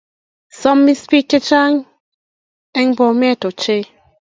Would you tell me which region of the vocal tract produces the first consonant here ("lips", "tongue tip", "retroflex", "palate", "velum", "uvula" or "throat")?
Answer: tongue tip